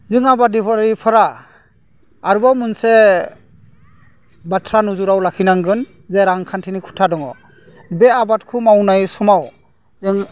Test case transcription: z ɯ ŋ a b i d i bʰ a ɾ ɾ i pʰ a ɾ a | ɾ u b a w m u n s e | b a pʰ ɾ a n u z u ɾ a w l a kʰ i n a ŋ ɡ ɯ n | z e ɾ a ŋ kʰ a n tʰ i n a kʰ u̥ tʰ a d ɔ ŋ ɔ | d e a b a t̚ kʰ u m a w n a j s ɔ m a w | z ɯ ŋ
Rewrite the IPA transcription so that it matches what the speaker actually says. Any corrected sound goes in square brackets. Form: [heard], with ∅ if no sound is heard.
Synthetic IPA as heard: z ɯ ŋ a b [a] d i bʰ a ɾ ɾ i pʰ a ɾ a | ɾ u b a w m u n s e | b a [tʰ] ɾ a n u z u ɾ a w l a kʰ i n a ŋ ɡ ɯ n | z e ɾ a ŋ kʰ a n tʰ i n [i] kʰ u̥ tʰ a d ɔ ŋ ɔ | [b] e a b a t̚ kʰ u m a w n a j s ɔ m a w | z ɯ ŋ